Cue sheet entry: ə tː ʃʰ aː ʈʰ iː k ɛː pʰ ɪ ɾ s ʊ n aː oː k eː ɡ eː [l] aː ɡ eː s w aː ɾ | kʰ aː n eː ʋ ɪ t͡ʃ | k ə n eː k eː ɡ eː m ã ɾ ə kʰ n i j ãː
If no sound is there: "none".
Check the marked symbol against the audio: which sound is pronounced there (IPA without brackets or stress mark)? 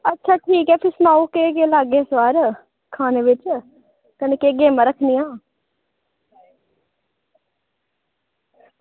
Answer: l